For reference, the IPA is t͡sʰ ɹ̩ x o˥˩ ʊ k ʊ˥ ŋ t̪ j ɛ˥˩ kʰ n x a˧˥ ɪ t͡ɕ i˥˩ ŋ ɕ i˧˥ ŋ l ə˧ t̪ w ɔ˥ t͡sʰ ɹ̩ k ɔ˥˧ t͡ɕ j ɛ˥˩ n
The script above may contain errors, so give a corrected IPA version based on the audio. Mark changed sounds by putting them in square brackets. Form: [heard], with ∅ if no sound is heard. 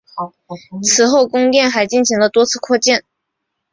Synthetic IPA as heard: t͡sʰ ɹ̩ x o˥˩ ʊ k ʊ˥ ŋ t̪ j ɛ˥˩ [∅] n x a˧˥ ɪ t͡ɕ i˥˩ [n] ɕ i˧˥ ŋ l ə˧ t̪ w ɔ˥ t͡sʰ ɹ̩ [kʰ] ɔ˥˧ t͡ɕ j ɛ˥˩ n